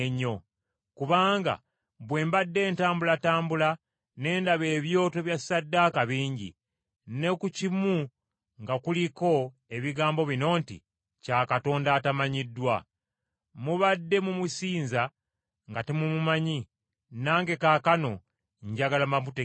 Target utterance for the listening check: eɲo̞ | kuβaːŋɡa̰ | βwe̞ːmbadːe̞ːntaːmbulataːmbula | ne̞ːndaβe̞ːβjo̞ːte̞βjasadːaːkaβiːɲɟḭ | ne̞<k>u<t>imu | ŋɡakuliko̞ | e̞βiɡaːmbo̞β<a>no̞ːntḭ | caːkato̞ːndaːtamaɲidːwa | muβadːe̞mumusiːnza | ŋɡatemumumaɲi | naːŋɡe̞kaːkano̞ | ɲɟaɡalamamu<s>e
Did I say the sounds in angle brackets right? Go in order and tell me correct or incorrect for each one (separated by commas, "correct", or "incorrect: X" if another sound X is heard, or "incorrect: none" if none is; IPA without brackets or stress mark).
correct, incorrect: c, incorrect: i, incorrect: t